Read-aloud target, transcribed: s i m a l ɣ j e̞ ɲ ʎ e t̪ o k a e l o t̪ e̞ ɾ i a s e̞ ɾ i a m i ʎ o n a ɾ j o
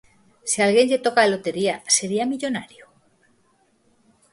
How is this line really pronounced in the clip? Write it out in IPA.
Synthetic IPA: s i a l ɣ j e̞ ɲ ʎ e t̪ o k a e l o t̪ e̞ ɾ i a s e̞ ɾ i a m i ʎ o n a ɾ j o